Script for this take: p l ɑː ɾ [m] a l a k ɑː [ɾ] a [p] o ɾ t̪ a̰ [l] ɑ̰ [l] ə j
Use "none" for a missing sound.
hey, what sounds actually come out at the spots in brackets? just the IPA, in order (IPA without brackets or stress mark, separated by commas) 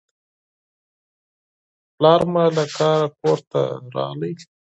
m, ɾ, k, ɾ, l